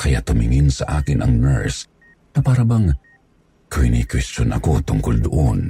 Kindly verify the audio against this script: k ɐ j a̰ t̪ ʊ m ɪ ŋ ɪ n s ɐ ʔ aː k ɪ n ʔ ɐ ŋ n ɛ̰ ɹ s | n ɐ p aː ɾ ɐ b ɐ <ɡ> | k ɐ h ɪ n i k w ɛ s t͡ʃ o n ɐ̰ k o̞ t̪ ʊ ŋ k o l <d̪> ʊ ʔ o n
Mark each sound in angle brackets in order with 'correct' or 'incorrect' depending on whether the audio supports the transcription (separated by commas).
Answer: incorrect, correct